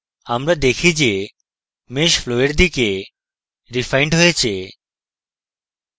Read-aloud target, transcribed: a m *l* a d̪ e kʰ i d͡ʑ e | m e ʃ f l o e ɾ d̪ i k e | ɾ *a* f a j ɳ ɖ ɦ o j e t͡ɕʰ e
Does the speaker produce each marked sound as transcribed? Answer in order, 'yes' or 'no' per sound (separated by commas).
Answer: no, no